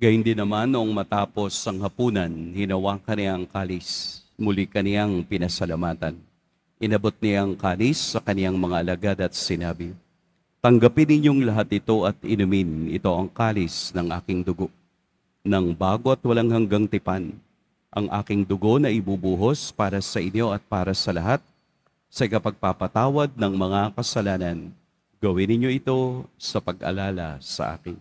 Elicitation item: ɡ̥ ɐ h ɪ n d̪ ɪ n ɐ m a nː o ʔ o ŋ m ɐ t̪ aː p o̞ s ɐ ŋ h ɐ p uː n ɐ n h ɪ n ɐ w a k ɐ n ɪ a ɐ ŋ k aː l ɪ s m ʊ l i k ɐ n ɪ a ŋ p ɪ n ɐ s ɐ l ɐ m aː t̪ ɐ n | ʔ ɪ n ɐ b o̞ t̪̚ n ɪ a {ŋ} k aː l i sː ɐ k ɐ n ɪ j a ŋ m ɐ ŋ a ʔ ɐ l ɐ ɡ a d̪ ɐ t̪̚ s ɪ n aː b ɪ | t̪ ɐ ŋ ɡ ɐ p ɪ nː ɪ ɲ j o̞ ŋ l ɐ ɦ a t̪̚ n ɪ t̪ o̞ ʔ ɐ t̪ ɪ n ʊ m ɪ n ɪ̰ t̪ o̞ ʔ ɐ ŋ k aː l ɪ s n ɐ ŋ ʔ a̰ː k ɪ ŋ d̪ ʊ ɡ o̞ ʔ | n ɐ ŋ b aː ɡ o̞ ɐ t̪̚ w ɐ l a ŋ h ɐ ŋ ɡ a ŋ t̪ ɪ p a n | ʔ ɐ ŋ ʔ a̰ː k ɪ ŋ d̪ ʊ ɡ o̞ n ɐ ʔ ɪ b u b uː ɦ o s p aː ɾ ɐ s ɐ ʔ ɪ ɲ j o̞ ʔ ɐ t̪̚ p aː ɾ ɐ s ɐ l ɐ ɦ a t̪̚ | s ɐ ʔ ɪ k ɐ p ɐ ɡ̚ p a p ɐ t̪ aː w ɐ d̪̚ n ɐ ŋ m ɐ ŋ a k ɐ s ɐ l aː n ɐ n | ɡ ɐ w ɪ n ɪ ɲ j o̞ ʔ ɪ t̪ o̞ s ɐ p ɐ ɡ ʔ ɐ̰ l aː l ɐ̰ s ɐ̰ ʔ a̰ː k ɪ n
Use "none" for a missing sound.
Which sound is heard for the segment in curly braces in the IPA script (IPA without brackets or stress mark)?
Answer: ŋ